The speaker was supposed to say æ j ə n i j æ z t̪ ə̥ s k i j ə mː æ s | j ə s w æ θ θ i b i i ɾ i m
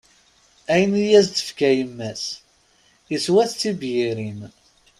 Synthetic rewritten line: æ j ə n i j æ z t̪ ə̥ f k æ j ə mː æ s | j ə s w æ θ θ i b j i ɾ i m